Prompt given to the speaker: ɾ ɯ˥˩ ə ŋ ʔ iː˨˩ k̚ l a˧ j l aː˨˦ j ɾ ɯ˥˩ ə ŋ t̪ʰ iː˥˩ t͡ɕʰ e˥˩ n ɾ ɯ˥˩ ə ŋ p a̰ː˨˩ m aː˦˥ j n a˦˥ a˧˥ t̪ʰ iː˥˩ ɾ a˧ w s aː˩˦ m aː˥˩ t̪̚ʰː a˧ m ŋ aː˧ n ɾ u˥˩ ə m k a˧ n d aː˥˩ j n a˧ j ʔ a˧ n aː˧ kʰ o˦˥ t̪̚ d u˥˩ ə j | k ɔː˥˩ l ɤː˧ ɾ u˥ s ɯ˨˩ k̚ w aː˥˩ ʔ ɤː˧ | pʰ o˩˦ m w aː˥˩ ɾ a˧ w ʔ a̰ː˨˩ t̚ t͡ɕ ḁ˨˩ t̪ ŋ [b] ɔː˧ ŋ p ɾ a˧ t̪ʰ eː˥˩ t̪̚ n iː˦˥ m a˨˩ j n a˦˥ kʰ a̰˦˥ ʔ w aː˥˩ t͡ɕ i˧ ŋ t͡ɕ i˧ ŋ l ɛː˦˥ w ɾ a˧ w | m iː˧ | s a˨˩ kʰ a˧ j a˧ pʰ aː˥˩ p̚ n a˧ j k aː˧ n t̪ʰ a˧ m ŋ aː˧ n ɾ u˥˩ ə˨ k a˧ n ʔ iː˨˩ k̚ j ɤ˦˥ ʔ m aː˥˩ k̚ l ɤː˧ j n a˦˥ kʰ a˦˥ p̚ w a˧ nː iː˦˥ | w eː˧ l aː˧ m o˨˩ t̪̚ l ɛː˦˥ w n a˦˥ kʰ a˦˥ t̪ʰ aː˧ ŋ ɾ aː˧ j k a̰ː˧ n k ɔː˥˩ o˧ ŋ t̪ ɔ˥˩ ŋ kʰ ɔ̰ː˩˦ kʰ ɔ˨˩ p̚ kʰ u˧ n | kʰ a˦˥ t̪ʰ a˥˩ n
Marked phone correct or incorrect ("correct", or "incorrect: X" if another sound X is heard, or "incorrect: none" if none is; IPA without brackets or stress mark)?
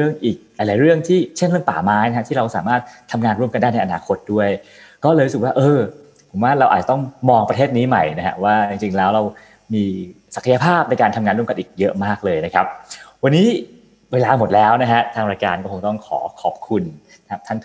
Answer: incorrect: m